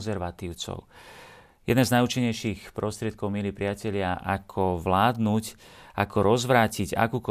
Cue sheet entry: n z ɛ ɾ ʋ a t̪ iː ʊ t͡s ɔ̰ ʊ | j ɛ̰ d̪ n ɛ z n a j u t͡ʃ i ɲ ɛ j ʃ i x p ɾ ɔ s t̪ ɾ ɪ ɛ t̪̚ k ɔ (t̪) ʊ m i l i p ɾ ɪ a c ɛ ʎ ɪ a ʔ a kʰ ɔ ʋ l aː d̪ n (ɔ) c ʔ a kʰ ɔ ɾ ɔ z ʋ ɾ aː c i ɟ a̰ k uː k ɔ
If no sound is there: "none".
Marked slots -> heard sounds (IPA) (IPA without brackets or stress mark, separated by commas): none, u